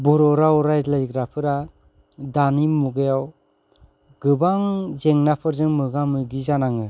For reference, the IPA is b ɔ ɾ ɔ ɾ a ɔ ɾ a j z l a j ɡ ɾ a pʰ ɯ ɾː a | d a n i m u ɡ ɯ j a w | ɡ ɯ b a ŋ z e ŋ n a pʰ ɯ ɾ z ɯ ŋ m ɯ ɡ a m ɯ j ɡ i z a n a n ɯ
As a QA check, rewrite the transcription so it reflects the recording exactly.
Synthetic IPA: b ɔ ɾ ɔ ɾ a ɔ ɾ a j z l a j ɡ ɾ a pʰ ɯ ɾ a | d a n i m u ɡ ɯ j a w | ɡ ɯ b a ŋ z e ŋ n a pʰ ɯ ɾ z ɯ ŋ m ɯ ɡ a m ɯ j ɡ i z a n a ŋ ɯ